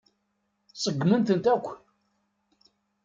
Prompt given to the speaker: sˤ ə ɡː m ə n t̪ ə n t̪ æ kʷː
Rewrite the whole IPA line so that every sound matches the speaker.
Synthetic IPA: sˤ ə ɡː m ə n t̪ ə n t̪ æ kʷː